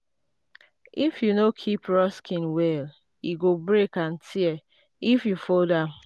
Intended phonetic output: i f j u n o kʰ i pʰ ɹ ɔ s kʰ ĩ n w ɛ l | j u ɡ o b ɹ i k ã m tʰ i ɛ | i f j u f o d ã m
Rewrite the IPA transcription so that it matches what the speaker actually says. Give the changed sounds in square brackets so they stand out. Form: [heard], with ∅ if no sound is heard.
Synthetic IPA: i f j u n o kʰ i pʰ ɹ ɔ s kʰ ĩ n w ɛ l | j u ɡ o b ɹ [e] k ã [n] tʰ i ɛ | i f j u f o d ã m